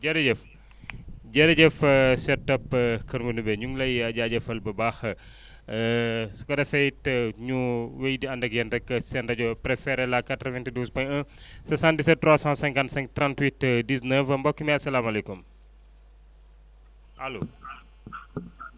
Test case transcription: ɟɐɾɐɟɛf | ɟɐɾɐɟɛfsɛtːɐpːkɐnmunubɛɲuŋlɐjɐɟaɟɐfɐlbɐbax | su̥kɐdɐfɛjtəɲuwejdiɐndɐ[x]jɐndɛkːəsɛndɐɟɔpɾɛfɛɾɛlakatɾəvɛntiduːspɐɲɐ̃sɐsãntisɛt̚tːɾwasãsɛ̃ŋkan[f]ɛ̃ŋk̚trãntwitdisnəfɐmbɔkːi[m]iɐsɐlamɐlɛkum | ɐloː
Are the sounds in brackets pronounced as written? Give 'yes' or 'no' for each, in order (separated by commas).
no, no, yes